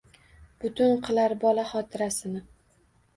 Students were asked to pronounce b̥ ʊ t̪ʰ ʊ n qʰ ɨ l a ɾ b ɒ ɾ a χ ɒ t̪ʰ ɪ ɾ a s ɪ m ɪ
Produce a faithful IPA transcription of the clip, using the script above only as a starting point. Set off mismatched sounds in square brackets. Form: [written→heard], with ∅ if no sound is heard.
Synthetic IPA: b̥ ʊ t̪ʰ ʊ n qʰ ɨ l a ɾ b ɒ [ɾ→l] a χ ɒ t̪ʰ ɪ ɾ a s ɪ [m→n] ɪ